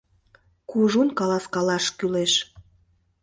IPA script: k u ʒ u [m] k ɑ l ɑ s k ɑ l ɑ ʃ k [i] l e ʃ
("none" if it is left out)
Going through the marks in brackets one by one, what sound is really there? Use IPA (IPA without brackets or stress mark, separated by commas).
n, y